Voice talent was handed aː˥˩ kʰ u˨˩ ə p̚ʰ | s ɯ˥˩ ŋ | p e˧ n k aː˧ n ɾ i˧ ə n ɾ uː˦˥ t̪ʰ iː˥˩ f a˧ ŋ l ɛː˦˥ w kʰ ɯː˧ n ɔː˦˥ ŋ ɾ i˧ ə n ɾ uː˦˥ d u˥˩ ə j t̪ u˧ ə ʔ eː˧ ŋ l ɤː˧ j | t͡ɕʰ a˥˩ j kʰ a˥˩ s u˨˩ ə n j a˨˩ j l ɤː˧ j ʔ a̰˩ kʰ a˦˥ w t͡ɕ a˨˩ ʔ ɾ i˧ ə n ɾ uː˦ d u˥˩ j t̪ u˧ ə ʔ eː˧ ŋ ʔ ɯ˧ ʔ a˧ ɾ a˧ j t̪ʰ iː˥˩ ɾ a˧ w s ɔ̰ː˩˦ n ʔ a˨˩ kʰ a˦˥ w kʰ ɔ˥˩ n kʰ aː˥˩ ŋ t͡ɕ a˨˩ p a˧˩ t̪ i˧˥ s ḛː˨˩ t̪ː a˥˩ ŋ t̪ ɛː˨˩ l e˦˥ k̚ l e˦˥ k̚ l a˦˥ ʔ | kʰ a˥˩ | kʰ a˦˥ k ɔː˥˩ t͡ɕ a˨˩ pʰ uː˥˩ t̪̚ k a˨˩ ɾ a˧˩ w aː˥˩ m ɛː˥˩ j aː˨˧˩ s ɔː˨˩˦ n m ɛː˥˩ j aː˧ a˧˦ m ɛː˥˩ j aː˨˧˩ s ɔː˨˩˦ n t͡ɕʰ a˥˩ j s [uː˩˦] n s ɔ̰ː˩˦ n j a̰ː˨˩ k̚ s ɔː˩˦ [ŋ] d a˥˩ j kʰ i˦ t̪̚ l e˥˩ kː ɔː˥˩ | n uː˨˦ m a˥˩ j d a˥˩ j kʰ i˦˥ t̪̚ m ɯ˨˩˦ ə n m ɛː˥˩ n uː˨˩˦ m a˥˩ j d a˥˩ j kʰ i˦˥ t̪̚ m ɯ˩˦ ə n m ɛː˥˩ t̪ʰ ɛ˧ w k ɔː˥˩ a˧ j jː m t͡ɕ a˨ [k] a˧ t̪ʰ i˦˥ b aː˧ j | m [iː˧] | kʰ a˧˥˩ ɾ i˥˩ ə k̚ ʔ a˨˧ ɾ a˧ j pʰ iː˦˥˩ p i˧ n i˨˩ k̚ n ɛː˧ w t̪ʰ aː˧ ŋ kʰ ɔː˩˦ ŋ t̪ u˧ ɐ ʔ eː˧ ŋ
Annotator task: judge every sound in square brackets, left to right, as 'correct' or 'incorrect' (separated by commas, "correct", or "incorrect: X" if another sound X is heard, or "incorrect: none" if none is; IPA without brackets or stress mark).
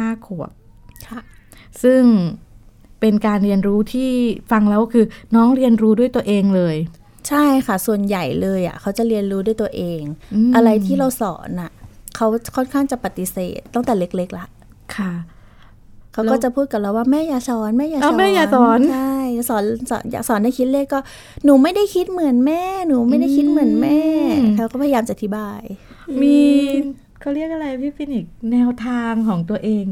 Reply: incorrect: ɔː˩˦, incorrect: n, incorrect: ʔ, correct